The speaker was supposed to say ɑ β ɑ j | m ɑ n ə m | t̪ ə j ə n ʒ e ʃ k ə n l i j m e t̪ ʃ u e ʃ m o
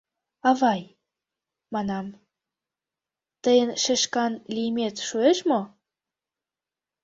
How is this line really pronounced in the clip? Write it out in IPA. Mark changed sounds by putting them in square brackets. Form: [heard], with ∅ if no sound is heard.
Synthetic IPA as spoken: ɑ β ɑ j | m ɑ n [ɑ] m | t̪ ə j ə n [ʃ] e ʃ k [ɑ] n l i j m e t̪ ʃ u e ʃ m o